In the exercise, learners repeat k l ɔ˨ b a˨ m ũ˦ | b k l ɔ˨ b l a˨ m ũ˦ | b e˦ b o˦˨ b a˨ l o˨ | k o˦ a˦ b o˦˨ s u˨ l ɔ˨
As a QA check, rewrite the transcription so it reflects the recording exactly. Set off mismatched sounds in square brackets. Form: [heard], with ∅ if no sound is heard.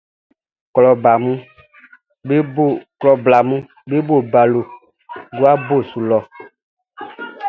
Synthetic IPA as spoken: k l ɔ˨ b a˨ m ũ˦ | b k l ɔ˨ b l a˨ m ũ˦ | b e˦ b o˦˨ b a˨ l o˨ | [ɡ] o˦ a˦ b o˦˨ s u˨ l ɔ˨

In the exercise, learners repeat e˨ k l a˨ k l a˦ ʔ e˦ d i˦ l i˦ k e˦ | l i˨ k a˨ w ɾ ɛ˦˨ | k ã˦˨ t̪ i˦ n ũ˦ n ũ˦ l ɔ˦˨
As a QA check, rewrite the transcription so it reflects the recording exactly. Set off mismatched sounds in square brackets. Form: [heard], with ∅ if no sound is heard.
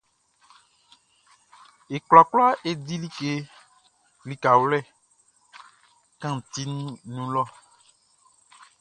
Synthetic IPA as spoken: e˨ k l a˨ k l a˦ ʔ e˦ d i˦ l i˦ k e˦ | l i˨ k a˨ w [l] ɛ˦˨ | k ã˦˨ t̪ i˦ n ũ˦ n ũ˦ l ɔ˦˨

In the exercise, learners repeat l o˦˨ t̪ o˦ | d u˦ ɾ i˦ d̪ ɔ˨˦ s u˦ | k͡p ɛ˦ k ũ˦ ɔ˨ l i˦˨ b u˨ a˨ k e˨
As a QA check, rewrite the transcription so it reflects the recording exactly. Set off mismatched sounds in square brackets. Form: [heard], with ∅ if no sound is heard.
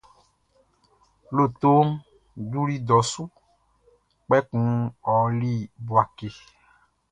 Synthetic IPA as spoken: l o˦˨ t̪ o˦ | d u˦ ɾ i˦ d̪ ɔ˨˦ s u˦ | k͡p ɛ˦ k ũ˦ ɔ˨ l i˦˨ b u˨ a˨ k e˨

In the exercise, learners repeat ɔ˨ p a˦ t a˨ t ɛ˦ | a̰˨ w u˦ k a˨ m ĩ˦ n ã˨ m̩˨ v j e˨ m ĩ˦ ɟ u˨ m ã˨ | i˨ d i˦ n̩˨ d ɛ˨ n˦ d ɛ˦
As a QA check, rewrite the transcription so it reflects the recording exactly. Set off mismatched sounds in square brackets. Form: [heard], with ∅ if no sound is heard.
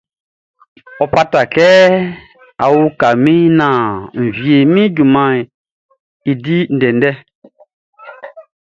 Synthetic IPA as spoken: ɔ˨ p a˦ t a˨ [k] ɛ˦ | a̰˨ w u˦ k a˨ m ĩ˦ n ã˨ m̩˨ v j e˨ m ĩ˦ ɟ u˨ m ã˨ | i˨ d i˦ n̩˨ d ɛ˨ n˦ d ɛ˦

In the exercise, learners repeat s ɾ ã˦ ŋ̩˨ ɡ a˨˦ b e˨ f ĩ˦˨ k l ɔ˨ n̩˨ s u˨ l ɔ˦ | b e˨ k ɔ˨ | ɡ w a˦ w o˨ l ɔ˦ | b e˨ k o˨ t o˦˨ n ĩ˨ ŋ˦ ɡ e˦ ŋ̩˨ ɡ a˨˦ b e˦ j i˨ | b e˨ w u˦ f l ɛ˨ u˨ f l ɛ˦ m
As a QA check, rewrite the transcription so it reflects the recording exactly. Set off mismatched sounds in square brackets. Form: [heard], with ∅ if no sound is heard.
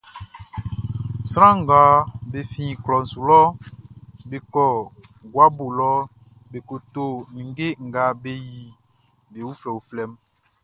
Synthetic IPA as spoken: s ɾ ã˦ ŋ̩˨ ɡ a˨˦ b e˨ f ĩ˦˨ k l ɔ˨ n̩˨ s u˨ l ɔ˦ | b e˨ k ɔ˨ | ɡ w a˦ [b] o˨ l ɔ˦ | b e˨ k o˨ t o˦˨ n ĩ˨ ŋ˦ ɡ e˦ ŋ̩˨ ɡ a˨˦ b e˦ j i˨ | b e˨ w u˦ f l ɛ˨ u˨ f l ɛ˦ m

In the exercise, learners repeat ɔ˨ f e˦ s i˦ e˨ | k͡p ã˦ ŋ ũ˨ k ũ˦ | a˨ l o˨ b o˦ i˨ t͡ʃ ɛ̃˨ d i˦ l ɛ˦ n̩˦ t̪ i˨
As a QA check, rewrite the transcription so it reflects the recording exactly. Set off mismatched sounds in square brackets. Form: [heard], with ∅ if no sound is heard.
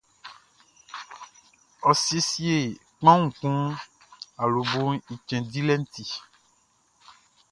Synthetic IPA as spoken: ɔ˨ [s] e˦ s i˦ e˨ | k͡p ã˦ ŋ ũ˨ k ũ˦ | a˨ l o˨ b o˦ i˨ t͡ʃ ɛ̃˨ d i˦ l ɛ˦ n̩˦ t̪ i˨

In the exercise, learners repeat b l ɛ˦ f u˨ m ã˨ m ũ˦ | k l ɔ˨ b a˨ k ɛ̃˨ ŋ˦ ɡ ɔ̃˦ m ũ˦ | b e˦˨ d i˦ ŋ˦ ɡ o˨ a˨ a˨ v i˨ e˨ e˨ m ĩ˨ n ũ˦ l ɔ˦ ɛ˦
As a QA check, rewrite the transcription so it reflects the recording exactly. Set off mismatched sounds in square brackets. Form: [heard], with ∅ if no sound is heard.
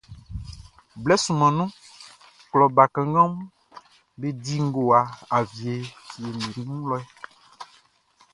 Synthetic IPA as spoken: b l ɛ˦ [s] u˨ m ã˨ [n] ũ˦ | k l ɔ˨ b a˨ k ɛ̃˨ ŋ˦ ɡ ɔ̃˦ m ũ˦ | b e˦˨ d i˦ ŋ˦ ɡ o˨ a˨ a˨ v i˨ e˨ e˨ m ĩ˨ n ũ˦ l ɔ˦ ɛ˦

